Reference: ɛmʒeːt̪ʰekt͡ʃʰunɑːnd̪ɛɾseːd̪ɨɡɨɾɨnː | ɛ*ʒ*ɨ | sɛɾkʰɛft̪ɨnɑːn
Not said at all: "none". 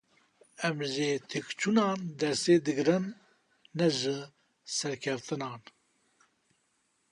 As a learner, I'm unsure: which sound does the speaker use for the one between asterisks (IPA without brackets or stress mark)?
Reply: ʒ